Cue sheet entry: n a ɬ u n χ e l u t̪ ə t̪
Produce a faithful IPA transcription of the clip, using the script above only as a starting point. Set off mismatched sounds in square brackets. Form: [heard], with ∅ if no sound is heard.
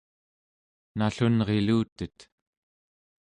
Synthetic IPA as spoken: n a ɬ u n [ʁ] e l [uː] t̪ ə t̪